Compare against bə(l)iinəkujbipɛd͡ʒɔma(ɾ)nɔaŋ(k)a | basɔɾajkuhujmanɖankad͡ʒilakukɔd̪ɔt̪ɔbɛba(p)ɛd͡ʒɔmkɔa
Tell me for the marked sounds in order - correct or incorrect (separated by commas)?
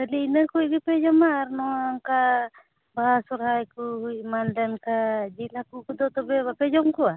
correct, correct, correct, correct